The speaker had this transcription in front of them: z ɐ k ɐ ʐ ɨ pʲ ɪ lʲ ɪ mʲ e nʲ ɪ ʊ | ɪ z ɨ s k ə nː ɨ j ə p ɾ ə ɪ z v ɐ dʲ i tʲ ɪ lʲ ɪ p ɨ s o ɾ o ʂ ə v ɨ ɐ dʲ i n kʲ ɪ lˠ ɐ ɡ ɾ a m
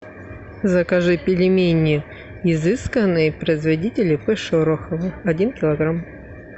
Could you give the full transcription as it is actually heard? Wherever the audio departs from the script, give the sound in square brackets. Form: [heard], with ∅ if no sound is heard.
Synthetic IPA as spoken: z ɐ k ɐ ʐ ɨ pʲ ɪ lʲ ɪ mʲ e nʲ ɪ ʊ | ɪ z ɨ s k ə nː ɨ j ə p ɾ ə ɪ z v ɐ dʲ i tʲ ɪ lʲ ɪ p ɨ [ʂ] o ɾ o [x] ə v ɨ ɐ dʲ i n kʲ ɪ lˠ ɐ ɡ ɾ a m